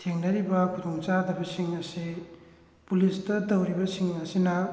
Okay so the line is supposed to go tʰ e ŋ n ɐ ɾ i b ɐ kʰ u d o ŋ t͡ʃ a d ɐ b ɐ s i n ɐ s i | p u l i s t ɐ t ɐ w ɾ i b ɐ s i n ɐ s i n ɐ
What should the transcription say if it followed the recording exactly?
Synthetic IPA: tʰ e ŋ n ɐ ɾ i b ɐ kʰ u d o ŋ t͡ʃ a d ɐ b ɐ s i ŋ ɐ s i | p u l i s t ɐ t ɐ w ɾ i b ɐ s i ŋ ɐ s i n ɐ

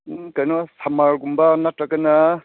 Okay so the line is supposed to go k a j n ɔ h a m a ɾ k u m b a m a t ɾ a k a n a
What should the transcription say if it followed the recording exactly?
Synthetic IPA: k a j n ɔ s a m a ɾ ɡ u m b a n a t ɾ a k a n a

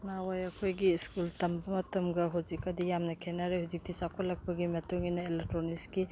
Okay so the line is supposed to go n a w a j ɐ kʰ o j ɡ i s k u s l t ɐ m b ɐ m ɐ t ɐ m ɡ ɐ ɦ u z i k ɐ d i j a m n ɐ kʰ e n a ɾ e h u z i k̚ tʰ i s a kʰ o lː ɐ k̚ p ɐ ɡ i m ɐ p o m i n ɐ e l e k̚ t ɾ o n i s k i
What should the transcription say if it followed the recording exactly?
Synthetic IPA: n a w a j ɐ kʰ o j ɡ i s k u l t ɐ m b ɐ m ɐ t ɐ m ɡ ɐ ɦ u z i k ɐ d i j a m n ɐ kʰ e n a ɾ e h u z i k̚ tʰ i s a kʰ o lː ɐ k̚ p ɐ ɡ i m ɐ t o ŋ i n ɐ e l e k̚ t ɾ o n i s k i

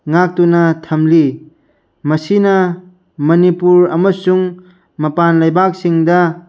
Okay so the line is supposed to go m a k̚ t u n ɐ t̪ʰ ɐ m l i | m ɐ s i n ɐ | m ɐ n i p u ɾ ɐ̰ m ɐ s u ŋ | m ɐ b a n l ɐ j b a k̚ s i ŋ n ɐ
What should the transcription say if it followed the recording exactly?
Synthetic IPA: ŋ a k̚ t u n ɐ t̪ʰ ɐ m l i | m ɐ s i n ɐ | m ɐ n i p u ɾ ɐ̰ m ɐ s u ŋ | m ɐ p a n l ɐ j b a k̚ s i ŋ d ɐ

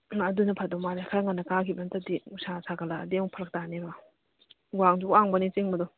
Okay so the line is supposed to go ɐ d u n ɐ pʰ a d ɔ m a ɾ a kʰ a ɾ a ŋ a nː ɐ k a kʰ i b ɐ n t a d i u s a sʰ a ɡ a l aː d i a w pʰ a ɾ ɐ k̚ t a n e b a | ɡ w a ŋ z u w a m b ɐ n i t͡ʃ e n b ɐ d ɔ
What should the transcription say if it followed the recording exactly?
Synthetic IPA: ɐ d u n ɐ pʰ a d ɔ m a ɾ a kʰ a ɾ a ŋ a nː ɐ k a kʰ i b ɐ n t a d i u s a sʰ a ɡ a l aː d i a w pʰ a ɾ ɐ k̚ t a n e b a | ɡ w a ŋ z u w a ŋ b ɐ n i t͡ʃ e ŋ b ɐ d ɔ

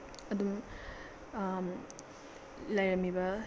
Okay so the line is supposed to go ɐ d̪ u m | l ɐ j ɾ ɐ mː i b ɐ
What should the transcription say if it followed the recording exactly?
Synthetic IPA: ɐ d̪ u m | l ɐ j ɾ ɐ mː i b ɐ

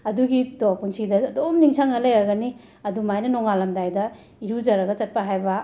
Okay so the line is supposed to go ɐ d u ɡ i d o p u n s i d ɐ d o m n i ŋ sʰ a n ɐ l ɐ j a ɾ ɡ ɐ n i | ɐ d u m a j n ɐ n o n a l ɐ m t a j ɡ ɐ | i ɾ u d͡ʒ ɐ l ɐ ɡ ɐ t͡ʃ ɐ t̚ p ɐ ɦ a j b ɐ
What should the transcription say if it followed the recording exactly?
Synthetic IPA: ɐ d u ɡ i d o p u n s i d ɐ d o m n i ŋ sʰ a ŋ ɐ l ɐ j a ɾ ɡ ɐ n i | ɐ d u m a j n ɐ n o ŋ a l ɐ m d a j d ɐ | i ɾ u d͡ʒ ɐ ɾ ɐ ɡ ɐ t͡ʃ ɐ t̚ p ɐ ɦ a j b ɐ

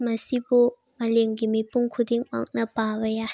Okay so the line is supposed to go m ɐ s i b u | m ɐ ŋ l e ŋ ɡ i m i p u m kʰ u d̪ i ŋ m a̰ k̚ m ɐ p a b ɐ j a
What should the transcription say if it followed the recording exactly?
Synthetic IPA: m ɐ s i b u | m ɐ l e ŋ ɡ i m i p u ŋ kʰ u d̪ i ŋ m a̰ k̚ n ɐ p a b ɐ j a

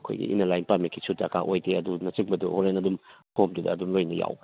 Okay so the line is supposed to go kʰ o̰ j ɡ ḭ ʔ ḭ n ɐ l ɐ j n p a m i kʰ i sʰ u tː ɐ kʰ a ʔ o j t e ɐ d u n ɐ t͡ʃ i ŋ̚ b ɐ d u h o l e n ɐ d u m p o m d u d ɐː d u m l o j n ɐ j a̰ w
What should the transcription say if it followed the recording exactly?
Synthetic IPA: kʰ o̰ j ɡ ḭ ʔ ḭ n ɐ l a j n p a m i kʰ i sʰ u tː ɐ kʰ a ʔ o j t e ɐ d u n ɐ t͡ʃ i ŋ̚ b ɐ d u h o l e n ɐ d u m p o m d u d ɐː d u m l o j n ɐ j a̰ w

